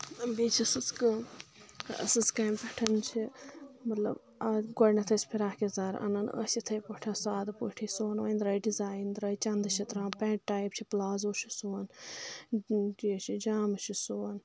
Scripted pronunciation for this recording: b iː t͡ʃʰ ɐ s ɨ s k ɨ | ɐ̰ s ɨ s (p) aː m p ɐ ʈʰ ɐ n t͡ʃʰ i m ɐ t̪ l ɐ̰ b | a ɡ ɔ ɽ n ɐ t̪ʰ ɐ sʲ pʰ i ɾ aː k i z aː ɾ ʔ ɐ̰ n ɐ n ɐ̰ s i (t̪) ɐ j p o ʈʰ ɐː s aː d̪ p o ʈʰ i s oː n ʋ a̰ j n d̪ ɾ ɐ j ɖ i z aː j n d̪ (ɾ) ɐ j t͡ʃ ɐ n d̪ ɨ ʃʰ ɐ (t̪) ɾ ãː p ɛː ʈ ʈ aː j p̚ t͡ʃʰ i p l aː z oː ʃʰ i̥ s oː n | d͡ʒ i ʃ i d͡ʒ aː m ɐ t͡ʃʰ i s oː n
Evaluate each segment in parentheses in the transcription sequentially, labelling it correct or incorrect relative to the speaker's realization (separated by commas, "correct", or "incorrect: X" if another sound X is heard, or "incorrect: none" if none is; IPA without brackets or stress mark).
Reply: incorrect: k, incorrect: t̪ʰ, correct, correct